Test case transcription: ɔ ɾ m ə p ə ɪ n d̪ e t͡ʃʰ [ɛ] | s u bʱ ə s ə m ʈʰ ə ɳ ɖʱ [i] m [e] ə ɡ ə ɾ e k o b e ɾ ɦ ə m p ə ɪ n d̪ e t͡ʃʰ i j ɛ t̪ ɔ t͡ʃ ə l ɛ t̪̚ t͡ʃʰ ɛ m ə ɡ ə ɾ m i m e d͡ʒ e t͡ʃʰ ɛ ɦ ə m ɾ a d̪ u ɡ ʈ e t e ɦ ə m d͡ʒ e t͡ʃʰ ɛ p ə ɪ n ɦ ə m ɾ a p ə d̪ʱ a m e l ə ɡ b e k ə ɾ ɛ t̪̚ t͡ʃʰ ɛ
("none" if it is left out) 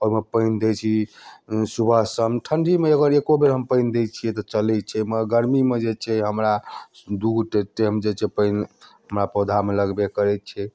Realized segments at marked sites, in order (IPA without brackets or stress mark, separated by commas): i, i, e